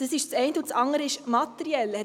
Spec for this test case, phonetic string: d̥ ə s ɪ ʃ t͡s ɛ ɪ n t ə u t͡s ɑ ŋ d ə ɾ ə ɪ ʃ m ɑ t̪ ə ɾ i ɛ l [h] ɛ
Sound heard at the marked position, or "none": h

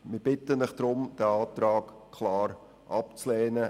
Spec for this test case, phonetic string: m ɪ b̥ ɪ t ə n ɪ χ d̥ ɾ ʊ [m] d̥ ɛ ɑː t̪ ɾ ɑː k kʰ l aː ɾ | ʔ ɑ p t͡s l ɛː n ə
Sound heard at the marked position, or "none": m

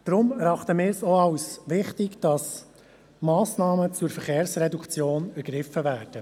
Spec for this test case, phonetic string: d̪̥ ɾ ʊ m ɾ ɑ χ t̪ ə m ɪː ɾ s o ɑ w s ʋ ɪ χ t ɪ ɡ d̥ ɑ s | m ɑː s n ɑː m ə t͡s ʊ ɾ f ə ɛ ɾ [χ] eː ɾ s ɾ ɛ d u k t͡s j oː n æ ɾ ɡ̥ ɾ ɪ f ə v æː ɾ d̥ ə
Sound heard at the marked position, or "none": χ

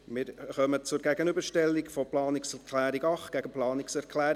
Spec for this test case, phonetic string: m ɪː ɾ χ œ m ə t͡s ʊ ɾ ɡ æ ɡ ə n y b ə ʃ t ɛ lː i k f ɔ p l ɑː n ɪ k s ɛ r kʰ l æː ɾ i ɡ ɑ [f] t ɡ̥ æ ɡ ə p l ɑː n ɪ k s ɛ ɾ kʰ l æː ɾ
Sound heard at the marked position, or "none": χ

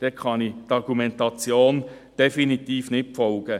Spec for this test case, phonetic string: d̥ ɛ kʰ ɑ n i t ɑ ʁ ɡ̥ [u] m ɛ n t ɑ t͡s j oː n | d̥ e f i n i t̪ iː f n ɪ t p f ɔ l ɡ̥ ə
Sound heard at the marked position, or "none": u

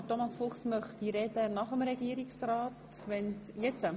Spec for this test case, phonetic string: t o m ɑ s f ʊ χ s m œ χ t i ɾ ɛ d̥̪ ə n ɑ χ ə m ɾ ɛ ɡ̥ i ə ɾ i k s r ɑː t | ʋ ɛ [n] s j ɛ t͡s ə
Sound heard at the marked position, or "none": n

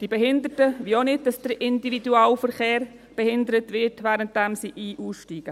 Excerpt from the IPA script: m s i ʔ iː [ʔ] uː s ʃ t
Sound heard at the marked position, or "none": ʔ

